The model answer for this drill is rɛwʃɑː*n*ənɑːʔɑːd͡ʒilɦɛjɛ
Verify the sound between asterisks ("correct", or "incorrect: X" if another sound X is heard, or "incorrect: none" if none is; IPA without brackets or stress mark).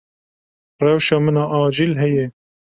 incorrect: m